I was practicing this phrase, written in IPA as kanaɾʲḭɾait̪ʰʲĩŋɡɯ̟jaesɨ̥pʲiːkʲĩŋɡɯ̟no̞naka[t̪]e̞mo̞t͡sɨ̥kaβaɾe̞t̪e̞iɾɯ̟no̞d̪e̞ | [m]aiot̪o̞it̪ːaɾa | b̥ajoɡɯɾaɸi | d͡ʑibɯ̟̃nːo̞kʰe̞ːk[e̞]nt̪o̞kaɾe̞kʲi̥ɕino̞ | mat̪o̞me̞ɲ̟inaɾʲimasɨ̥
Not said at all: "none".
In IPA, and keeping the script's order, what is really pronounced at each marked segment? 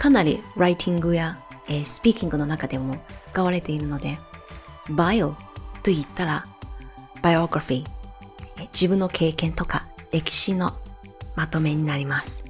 d̪, b, ẽ̞

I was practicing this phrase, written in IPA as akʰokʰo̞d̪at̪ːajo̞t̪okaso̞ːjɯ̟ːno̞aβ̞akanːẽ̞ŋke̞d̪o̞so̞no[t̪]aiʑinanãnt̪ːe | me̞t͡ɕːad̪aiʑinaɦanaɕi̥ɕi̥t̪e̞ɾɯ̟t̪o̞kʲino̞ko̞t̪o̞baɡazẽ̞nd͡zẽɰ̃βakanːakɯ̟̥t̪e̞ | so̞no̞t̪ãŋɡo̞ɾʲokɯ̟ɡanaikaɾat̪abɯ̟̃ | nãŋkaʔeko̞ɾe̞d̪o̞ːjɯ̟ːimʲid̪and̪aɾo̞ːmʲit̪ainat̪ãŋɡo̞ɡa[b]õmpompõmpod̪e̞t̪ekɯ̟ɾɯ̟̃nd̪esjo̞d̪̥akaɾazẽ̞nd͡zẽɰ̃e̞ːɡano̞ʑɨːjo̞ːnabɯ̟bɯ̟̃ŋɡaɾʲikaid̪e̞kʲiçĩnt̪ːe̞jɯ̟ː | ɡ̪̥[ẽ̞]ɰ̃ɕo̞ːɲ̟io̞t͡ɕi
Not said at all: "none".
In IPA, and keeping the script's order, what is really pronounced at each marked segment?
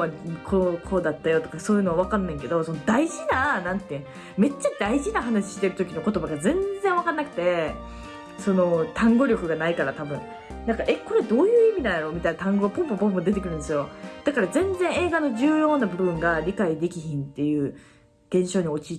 d̪, p, ẽ̞

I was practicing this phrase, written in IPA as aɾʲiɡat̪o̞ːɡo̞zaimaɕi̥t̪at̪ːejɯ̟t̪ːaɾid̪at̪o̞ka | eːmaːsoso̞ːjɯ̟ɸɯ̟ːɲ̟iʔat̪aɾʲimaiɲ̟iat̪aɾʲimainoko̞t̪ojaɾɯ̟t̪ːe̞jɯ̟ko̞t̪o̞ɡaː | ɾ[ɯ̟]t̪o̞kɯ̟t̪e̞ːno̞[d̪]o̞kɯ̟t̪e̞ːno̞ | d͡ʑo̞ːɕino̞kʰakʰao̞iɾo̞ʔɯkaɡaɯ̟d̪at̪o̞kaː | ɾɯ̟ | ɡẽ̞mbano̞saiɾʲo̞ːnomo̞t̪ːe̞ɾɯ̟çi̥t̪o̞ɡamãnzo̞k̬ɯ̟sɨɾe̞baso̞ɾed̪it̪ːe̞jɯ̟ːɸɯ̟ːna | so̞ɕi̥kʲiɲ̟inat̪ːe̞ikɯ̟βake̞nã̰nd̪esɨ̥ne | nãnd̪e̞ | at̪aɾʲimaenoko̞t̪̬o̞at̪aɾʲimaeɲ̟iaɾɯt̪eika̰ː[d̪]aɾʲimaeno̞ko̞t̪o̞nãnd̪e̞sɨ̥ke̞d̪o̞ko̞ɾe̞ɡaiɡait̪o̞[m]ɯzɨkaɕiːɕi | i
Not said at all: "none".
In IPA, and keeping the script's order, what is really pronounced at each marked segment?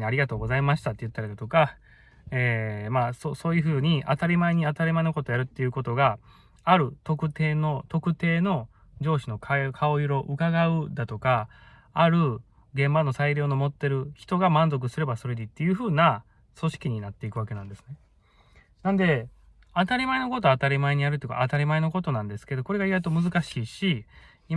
ɯ̟, t̪, t̪, m

